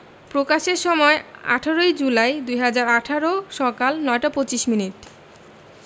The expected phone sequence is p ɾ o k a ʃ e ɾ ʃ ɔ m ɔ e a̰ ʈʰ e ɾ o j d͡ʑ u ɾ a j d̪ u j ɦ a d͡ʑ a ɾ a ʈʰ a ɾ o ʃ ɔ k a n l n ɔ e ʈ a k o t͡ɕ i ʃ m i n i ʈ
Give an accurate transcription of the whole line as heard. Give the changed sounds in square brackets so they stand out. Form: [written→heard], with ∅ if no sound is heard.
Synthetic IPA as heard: p ɾ o k a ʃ e ɾ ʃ ɔ m ɔ e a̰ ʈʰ [e→a] ɾ o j d͡ʑ u [ɾ→l] a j d̪ u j ɦ a d͡ʑ a ɾ a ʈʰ a ɾ o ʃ ɔ k a [n→∅] l n ɔ e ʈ a [k→p] o t͡ɕ i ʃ m i n i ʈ